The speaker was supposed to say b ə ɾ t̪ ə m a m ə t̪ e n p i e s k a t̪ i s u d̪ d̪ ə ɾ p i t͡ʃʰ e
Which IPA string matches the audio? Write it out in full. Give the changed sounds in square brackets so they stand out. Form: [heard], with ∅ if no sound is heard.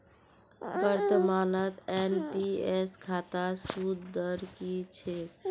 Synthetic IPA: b ə ɾ t̪ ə m a [n] ə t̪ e n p i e s [kʰ] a t̪ [a] s u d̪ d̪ ə ɾ [k] i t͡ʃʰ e